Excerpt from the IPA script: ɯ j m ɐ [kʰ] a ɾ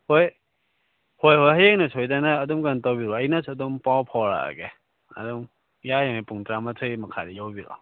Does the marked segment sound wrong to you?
no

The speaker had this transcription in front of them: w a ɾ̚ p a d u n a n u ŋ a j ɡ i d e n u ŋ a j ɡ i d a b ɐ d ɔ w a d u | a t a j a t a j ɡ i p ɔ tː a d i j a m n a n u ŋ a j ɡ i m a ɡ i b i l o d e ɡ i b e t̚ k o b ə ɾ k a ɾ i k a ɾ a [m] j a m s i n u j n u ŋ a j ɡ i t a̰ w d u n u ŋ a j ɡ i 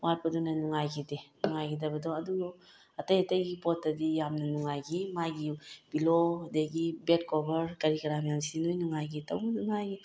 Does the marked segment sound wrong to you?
no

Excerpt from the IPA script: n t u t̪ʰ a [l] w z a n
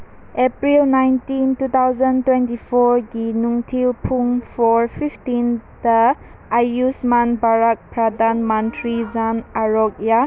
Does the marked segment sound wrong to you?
yes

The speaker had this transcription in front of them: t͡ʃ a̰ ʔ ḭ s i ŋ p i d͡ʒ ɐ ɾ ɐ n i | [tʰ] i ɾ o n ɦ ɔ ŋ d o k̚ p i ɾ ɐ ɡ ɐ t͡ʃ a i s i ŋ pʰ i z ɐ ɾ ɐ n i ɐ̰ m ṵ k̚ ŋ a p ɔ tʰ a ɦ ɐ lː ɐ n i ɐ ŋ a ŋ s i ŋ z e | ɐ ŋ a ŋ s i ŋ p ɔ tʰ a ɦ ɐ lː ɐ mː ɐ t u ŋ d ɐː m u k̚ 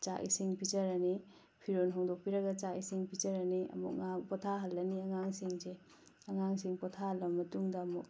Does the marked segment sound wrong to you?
yes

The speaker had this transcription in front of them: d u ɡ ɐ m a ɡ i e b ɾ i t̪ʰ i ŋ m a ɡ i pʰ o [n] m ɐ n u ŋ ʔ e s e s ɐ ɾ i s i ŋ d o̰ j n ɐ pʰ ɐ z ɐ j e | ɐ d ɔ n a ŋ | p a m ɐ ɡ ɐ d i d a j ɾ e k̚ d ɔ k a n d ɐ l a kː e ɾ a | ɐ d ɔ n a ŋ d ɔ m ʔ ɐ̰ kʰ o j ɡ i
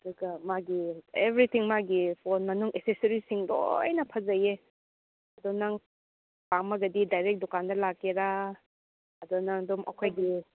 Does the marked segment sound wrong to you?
no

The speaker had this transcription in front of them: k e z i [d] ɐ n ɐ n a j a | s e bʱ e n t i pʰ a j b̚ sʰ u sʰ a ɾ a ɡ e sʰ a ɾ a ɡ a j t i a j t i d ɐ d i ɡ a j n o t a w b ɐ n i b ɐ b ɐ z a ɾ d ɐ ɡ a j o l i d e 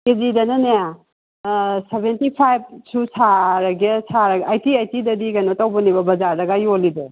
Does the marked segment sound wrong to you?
no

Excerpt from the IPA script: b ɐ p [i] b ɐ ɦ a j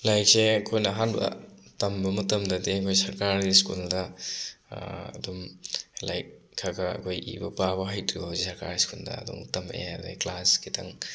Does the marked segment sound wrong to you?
yes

